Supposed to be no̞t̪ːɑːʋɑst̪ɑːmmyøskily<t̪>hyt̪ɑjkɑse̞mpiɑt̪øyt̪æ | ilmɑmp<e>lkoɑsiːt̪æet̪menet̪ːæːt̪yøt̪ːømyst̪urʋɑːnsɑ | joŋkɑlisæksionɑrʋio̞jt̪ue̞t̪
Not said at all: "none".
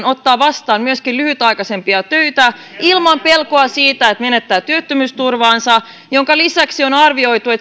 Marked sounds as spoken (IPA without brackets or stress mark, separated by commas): none, e